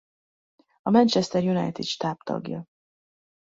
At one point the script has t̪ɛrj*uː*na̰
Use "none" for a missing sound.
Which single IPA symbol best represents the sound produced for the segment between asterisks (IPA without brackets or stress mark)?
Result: u